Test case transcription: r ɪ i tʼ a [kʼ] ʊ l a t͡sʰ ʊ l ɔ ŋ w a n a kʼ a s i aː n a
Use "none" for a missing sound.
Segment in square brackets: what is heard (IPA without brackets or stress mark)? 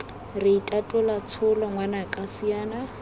tʼ